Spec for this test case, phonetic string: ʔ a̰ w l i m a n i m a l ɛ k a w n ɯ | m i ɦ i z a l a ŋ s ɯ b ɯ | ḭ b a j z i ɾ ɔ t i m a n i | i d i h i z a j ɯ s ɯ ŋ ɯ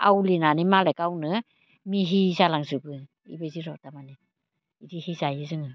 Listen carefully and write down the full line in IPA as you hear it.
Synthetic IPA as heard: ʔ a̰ w l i n a n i m a l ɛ k a w n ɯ | m i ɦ i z a l a ŋ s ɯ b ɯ | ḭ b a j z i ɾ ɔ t a m a n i | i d i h i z a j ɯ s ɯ ŋ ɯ

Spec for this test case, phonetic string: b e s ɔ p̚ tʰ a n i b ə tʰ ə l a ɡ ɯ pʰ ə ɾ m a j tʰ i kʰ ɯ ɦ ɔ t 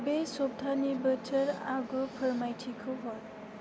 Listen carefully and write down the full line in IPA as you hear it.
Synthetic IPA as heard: b e s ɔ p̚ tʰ a n i b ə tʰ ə ɾ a ɡ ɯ pʰ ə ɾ m a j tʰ i kʰ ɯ ɦ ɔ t

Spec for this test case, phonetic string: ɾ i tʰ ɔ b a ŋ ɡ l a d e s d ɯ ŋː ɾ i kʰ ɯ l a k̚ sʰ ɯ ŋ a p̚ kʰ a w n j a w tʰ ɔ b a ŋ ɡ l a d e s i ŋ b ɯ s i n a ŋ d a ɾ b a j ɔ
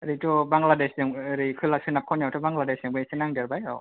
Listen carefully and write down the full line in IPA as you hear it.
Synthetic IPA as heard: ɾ i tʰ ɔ b a ŋ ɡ l a d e s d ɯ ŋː ɾ i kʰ ɯ l a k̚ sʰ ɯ n a p̚ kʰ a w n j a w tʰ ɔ b a ŋ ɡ l a d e s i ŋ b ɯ s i n a ŋ d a ɾ b a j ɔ

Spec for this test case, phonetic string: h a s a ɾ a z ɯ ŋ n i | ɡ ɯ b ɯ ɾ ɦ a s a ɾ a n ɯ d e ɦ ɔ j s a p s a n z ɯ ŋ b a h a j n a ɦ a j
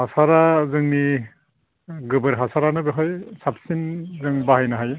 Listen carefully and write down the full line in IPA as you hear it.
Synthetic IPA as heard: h a s a ɾ a z ɯ ŋ n i | ɡ ɯ b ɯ ɾ ɦ a s a ɾ a n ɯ b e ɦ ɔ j s a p s i n z ɯ ŋ b a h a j n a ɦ a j

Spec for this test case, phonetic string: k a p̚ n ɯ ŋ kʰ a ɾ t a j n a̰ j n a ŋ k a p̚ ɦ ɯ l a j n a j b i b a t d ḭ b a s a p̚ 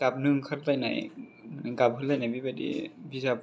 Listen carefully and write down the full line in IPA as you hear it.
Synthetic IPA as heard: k a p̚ n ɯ ŋ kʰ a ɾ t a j n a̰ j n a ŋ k a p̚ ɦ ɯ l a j n a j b i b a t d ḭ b i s a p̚

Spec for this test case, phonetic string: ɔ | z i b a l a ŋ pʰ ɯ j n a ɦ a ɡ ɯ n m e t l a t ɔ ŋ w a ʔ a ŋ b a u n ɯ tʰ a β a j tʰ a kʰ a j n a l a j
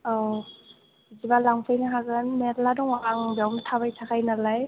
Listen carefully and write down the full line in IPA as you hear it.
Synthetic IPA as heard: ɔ | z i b a l a ŋ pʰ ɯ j n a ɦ a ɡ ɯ n m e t l a d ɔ ŋ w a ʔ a ŋ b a w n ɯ tʰ a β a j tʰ a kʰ a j n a l a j

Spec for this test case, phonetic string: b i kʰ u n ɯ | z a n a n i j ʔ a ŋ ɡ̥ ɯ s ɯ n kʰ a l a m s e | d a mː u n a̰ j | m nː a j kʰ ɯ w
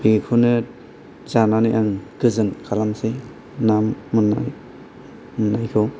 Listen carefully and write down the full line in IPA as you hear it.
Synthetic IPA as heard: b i kʰ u n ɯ | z a n a n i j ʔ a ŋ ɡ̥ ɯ z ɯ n kʰ a l a m s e | n a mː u n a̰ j | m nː a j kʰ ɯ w

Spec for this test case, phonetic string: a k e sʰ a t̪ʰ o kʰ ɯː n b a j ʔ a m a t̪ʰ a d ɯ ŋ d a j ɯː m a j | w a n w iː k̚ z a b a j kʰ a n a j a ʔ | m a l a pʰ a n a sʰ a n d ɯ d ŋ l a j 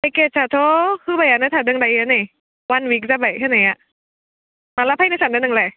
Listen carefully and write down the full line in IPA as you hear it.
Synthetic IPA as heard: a k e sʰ a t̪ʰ o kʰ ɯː b a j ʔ a n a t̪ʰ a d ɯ ŋ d a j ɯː n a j | w a n w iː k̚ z a b a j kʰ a n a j a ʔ | m a l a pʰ a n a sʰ a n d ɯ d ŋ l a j

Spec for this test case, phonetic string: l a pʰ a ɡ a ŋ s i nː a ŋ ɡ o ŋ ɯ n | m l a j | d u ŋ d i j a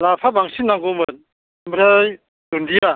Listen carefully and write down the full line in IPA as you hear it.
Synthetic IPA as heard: l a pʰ a b a ŋ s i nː a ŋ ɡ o m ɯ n | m ɾ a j | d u n d i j a

